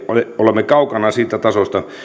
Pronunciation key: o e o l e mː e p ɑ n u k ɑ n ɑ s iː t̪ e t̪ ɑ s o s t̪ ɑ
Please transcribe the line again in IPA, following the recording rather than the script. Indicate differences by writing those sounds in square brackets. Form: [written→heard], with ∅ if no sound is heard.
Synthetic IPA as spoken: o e o l e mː e [p→k] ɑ [n→∅] u k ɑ n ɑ s iː t̪ [e→æ] t̪ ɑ s o s t̪ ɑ